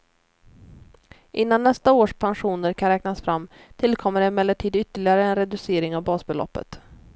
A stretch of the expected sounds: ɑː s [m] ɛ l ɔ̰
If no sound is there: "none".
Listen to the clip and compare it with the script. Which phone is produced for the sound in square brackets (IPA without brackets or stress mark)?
b